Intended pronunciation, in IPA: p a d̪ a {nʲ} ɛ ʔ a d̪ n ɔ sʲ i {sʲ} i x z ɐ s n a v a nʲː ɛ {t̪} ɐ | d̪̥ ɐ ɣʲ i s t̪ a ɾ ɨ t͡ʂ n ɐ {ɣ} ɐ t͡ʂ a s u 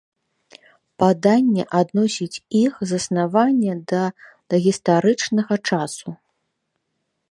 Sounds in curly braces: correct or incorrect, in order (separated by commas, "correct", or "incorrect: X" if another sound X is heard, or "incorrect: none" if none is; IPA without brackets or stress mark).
incorrect: nʲː, incorrect: t͡sʲ, incorrect: d̪, correct